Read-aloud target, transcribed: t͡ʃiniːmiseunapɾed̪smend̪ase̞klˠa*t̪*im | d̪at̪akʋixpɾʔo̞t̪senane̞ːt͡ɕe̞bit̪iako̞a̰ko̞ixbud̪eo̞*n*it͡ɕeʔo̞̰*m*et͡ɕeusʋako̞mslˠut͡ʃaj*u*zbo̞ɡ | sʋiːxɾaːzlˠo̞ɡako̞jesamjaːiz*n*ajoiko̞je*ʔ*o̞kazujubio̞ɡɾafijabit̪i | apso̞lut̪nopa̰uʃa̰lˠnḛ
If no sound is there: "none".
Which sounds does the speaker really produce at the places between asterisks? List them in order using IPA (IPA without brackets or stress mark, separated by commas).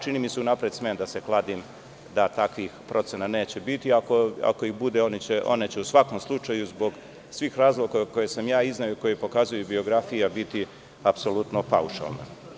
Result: d̪, n, n, u, n, p